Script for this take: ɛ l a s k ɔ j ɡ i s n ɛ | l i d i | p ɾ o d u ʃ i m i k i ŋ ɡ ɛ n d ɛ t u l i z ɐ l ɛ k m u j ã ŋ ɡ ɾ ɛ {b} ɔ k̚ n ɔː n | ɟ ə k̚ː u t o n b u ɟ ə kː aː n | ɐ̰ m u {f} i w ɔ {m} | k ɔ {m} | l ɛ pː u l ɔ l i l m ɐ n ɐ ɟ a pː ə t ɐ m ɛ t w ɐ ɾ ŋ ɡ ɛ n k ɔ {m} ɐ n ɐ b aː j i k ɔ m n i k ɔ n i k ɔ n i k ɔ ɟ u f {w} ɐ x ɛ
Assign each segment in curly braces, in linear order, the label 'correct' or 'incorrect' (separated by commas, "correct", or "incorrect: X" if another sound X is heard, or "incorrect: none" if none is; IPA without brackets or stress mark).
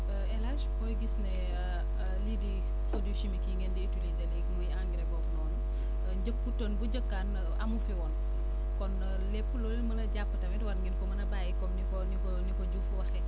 correct, correct, incorrect: n, incorrect: n, correct, correct